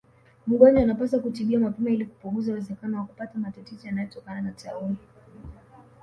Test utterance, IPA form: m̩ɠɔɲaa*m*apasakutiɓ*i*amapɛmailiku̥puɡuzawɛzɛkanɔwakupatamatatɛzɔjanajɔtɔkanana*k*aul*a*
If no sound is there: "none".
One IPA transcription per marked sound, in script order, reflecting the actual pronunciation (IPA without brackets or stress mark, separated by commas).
n, i, t, i